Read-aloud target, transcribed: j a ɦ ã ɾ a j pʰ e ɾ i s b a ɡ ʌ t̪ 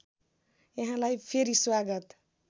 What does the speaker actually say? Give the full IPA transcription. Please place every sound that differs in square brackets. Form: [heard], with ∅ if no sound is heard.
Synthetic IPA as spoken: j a ɦ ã [l] a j pʰ e ɾ i s [w] a ɡ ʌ t̪